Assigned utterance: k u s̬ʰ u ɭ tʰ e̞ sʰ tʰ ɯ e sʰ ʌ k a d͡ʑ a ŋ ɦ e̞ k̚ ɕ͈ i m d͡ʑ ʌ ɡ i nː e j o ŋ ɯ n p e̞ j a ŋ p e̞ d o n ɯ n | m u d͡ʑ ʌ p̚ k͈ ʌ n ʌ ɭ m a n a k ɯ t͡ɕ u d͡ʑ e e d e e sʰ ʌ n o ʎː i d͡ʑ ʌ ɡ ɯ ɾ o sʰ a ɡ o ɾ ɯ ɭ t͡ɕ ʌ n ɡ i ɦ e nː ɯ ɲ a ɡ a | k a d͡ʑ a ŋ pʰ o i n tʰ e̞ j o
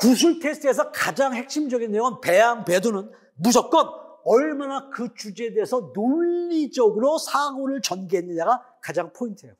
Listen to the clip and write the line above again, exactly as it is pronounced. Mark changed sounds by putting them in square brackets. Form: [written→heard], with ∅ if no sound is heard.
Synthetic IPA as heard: k u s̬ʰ u ɭ tʰ e̞ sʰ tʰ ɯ e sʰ ʌ k a d͡ʑ a ŋ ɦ e̞ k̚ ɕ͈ i m d͡ʑ ʌ ɡ i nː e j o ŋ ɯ n p e̞ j a ŋ p e̞ d o n ɯ n | m u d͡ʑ ʌ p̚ k͈ ʌ n ʌ ɭ m a n a k ɯ t͡ɕ u d͡ʑ e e d e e sʰ ʌ n o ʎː i d͡ʑ ʌ ɡ ɯ ɾ o sʰ a ɡ o ɾ ɯ ɭ t͡ɕ ʌ n ɡ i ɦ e nː ɯ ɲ a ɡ a | k a d͡ʑ a ŋ pʰ o i n tʰ e̞ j o

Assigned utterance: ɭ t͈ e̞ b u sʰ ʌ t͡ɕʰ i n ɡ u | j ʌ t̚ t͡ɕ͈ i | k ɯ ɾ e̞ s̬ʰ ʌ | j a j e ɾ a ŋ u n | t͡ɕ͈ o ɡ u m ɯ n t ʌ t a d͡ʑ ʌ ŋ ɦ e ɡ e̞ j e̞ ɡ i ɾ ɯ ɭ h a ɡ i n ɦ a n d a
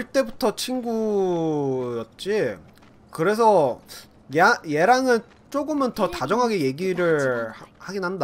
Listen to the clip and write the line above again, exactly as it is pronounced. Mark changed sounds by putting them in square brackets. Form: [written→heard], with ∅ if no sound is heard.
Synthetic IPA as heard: ɭ t͈ e̞ b u [sʰ→tʰ] ʌ t͡ɕʰ i n ɡ u | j ʌ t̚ t͡ɕ͈ i | k ɯ ɾ e̞ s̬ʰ ʌ | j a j e ɾ a ŋ [u→ɯ] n | t͡ɕ͈ o ɡ [u→ɯ] m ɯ n t ʌ t a d͡ʑ ʌ ŋ ɦ [e→a] ɡ e̞ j e̞ ɡ i ɾ ɯ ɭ h a ɡ i n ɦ a n d a

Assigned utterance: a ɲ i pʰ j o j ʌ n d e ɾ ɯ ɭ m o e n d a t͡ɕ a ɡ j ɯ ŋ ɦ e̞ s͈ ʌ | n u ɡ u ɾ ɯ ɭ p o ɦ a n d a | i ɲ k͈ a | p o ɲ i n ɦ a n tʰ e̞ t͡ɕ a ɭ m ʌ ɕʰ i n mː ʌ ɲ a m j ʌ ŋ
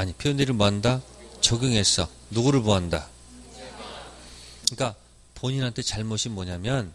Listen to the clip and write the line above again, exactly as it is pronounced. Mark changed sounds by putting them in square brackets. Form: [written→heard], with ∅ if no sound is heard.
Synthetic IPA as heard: a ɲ i pʰ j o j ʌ n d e ɾ ɯ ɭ m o [e→a] n d a t͡ɕ [a→ʌ] ɡ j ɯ ŋ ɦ e̞ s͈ ʌ | n u ɡ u ɾ ɯ ɭ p o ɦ a n d a | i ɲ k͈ a | p o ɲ i n ɦ a n tʰ e̞ t͡ɕ a ɭ m ʌ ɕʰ i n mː ʌ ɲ a m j ʌ [ŋ→n]

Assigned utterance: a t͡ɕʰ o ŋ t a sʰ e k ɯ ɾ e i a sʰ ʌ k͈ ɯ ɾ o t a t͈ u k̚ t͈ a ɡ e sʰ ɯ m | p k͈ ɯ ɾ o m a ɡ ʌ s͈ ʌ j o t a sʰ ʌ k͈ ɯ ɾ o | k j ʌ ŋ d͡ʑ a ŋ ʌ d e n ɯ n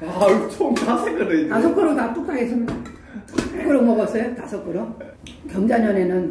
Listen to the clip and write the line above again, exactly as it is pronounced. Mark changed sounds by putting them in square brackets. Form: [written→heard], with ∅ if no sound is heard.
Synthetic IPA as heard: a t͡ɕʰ o ŋ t a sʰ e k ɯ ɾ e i a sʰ ʌ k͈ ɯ ɾ o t a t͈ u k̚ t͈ a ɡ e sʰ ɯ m | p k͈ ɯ ɾ o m [a→ʌ] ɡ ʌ s͈ ʌ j o t a sʰ ʌ k͈ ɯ ɾ o | k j ʌ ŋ d͡ʑ a [ŋ→ɲ] ʌ [d→n] e n ɯ n

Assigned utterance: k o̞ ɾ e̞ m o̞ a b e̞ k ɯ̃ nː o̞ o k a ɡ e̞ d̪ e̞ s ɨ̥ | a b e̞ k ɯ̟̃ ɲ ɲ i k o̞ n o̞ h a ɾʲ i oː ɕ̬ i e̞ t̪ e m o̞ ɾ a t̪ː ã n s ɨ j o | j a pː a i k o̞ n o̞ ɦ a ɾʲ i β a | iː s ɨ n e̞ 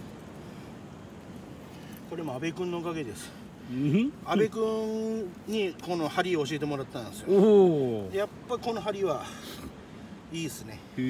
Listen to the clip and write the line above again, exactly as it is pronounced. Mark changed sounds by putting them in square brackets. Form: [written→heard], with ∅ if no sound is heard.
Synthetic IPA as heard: k o̞ ɾ e̞ m o̞ a b e̞ k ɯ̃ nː o̞ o k a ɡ e̞ d̪ e̞ s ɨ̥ | a b e̞ k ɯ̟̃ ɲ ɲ i k o̞ n o̞ h a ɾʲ i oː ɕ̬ i e̞ t̪ e m o̞ ɾ a t̪ː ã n s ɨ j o | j a pː a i k o̞ n o̞ ɦ a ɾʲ i β a | iː s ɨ n e̞

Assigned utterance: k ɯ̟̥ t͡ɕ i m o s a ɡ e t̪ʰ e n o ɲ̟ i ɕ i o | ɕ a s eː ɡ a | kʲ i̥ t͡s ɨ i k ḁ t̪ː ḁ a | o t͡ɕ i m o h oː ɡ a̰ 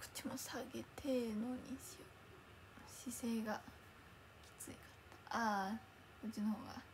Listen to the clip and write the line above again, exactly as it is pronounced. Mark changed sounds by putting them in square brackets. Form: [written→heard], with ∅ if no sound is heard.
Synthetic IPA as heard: k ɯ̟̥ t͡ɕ i m o s a ɡ e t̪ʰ e n o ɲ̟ i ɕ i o | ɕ [a→i] s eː ɡ a | kʲ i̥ t͡s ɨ i k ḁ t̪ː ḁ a | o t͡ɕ i [m→n] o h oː ɡ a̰

